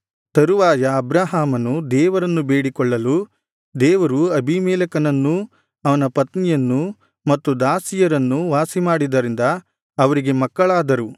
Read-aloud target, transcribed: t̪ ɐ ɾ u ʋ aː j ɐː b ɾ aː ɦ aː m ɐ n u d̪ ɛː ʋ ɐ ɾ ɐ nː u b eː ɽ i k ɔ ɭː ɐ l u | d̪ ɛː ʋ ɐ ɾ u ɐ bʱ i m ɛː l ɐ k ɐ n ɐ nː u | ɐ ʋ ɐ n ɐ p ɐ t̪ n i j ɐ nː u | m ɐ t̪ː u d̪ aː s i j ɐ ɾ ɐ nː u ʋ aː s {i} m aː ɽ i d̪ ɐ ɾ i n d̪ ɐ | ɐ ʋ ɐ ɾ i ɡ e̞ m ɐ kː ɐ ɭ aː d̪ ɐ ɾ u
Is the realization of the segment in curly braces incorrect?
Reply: no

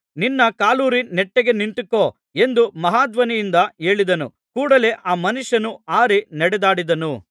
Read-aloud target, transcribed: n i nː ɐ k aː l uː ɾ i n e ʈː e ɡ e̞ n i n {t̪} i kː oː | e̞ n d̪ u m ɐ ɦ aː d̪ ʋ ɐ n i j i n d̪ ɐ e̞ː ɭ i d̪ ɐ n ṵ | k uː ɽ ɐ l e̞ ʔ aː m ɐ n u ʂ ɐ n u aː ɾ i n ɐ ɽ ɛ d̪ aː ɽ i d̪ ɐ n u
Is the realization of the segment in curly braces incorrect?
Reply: no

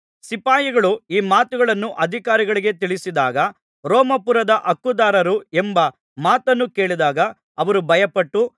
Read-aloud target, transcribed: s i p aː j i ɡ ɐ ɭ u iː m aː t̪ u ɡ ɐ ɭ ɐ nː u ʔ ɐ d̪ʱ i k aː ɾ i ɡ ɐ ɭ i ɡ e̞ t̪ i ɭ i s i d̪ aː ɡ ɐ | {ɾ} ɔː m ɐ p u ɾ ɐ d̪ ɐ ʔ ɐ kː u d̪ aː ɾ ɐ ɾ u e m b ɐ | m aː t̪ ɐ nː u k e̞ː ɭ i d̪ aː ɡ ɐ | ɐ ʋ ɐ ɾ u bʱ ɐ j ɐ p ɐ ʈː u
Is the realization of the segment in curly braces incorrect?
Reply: no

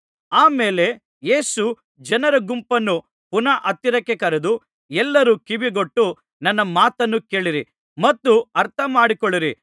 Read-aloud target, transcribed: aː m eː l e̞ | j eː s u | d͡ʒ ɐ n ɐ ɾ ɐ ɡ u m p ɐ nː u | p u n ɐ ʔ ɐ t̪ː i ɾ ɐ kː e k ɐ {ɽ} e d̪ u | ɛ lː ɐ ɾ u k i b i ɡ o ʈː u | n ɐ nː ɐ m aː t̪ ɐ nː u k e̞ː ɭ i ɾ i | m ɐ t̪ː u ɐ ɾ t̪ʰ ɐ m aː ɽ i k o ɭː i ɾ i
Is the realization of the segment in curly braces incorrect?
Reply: yes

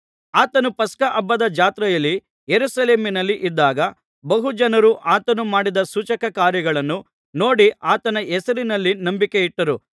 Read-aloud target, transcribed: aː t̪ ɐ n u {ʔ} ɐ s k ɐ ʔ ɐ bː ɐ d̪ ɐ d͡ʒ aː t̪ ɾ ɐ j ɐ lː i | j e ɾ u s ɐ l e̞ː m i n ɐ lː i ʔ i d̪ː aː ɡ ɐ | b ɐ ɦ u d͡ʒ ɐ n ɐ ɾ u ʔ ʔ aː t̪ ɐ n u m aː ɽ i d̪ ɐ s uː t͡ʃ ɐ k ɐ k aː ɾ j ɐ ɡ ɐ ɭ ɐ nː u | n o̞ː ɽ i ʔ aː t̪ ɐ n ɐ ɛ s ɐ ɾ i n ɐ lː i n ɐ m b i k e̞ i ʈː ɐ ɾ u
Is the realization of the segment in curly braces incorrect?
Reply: yes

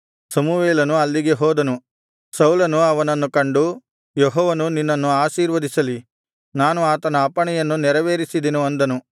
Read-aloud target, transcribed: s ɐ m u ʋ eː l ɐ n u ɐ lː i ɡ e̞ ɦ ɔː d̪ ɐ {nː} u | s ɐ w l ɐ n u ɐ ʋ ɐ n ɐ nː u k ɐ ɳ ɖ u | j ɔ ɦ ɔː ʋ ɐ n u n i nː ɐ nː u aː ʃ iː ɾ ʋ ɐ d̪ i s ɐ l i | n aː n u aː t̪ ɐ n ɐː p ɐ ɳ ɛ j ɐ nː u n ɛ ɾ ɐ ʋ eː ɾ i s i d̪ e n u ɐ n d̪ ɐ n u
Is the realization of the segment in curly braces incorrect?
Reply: yes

